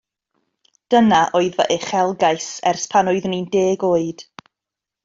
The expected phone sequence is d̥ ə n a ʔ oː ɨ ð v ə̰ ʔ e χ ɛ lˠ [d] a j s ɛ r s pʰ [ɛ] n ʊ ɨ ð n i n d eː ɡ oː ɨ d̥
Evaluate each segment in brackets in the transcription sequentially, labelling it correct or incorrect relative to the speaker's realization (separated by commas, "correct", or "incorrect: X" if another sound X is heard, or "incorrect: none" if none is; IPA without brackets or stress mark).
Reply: incorrect: ɡ, incorrect: a